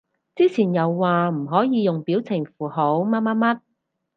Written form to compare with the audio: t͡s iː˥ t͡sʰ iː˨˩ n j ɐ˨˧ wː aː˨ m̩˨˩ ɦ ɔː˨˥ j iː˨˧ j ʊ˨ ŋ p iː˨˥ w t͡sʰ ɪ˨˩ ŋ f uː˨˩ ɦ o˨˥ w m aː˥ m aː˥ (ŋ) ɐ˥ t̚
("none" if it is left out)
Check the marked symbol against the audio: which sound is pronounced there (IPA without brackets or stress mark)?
m